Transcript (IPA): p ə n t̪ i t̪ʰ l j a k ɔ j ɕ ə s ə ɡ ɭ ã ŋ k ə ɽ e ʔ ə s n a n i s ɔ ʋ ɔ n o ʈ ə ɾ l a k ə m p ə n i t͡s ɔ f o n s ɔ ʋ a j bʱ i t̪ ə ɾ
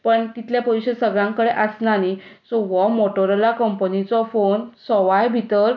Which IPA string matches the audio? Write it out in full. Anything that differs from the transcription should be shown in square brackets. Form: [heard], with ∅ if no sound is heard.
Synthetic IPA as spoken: p ə [ɳ] t̪ i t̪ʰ l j a [p] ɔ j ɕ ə s ə ɡ ɭ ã ŋ k ə ɽ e ʔ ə s n a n i s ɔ ʋ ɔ [m] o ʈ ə ɾ l a k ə m p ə n i t͡s ɔ f o n s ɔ ʋ a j bʱ i t̪ ə ɾ